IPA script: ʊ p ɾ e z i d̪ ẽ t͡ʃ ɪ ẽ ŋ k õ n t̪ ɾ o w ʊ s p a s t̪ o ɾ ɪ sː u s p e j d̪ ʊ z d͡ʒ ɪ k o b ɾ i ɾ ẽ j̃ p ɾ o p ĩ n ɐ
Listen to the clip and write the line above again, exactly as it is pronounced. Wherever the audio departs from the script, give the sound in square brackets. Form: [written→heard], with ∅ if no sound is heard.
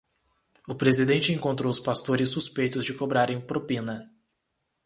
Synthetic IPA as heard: ʊ p ɾ e z i d̪ ẽ t͡ʃ ɪ ẽ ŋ k õ n t̪ ɾ o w ʊ s p a s t̪ o ɾ ɪ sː u s p e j [d̪→t̪] ʊ z d͡ʒ ɪ k o b ɾ [i→a] ɾ ẽ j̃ p ɾ o p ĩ n ɐ

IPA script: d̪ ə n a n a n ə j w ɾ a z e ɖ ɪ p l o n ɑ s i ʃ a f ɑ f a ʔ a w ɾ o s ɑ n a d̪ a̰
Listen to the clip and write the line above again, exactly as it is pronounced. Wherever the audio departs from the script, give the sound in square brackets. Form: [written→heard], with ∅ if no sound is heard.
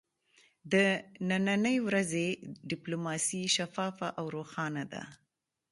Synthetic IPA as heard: d̪ ə n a n a n ə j w ɾ a z e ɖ ɪ p l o [n→m] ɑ s i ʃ a f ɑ f a ʔ a w ɾ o [s→x] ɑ n a d̪ a̰

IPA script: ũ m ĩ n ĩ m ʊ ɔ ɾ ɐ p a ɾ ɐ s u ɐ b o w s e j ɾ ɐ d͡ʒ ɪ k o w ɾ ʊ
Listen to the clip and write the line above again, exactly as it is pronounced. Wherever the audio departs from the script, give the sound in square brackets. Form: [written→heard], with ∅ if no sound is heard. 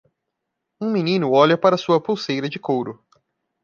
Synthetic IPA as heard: ũ m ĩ n ĩ [m→n] ʊ ɔ [ɾ→ʎ] ɐ p a ɾ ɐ s u ɐ [b→p] o w s e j ɾ ɐ d͡ʒ ɪ k o w ɾ ʊ

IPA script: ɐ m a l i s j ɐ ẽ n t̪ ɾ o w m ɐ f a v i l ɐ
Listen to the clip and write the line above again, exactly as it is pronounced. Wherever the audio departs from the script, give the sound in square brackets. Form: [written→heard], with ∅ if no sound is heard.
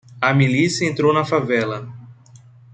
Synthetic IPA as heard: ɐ m [a→i] l i s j ɐ ẽ n t̪ ɾ o w [m→n] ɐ f a v [i→ɛ] l ɐ

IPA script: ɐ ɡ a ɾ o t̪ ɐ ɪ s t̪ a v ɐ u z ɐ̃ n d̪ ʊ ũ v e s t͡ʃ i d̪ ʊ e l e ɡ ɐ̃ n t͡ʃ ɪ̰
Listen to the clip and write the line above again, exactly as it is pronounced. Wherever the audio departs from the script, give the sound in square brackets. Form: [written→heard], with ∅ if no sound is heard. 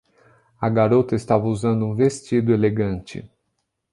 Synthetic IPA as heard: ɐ ɡ a ɾ o t̪ ɐ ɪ s t̪ a v ɐ u z ɐ̃ n d̪ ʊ ũ v e s t͡ʃ i d̪ ʊ e l e ɡ ɐ̃ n t͡ʃ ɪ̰

